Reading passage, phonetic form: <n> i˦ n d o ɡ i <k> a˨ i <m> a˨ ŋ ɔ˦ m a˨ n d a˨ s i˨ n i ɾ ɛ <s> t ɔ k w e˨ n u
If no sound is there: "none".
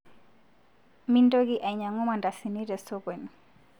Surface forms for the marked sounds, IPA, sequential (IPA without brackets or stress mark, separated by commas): m, ʔ, ɲ, s